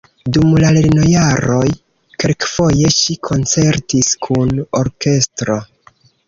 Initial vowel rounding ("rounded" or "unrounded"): rounded